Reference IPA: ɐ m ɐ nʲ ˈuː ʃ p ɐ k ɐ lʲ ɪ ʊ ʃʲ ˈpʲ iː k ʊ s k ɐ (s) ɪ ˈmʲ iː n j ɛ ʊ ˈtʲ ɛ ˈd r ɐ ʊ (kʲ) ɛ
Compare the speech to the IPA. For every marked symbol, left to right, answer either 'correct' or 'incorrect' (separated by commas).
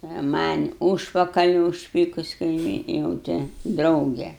incorrect, incorrect